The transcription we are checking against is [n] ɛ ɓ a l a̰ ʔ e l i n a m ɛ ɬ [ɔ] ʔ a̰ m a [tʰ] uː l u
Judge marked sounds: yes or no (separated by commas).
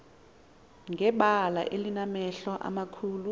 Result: no, yes, no